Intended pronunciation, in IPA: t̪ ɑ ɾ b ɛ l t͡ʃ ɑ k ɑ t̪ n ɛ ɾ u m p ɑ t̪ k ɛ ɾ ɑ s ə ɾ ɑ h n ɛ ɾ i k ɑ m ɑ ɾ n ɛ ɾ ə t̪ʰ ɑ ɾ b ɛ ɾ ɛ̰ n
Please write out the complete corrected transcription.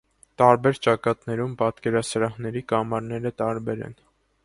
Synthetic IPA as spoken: t̪ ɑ ɾ b ɛ ɾ t͡ʃ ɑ k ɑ t̪ n ɛ ɾ u m p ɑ t̪ k ɛ ɾ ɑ s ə ɾ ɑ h n ɛ ɾ i k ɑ m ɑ ɾ n ɛ ɾ ə t̪ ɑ ɾ b ɛ ɾ ɛ̰ n